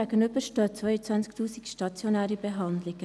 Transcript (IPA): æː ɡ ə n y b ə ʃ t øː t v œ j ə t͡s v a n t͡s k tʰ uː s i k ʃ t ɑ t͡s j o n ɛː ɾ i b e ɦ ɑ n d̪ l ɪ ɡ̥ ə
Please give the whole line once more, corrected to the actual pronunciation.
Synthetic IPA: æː ɡ ə n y b ə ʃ t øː t͡s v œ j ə t͡s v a n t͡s k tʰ uː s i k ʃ t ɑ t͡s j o n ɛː ɾ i b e ɦ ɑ n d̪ l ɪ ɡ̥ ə